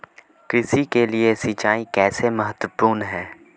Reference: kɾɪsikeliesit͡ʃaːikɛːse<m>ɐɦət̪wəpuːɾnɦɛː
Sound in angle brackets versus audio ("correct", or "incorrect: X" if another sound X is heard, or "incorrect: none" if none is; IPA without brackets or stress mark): correct